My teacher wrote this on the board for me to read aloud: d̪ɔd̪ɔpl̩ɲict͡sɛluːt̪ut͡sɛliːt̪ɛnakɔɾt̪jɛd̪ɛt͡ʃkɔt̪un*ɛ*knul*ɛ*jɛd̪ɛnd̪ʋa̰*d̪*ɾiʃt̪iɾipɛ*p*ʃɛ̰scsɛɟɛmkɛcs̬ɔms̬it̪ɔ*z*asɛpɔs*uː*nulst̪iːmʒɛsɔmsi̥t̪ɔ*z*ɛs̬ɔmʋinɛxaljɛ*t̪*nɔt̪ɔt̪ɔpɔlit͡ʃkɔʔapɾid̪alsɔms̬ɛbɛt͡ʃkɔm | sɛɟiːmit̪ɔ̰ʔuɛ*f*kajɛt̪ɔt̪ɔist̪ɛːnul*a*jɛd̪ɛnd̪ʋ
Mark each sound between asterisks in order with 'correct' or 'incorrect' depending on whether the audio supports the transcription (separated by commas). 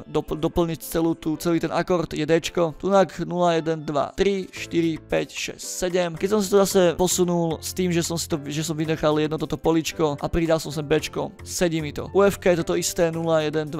incorrect, incorrect, incorrect, incorrect, correct, incorrect, incorrect, incorrect, correct, correct